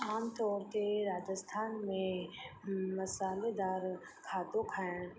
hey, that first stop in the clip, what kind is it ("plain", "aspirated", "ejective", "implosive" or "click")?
plain